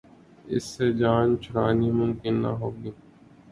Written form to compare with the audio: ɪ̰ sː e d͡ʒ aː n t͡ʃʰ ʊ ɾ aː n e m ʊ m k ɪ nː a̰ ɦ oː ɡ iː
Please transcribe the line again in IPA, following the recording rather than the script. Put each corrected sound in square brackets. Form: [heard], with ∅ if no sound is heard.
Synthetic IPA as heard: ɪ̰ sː e d͡ʒ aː n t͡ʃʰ ʊ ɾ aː n [i] m ʊ m k ɪ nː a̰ ɦ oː ɡ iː